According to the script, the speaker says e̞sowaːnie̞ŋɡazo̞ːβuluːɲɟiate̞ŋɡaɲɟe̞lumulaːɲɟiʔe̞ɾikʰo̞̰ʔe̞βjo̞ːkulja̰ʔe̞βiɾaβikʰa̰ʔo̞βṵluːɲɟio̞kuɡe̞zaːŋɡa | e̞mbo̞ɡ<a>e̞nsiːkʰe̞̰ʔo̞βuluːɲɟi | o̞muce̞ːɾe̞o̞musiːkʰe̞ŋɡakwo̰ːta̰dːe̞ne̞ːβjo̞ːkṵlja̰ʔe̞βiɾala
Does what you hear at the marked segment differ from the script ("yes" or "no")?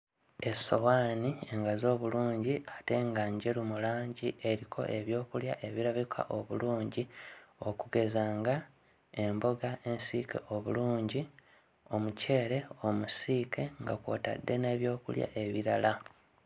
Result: no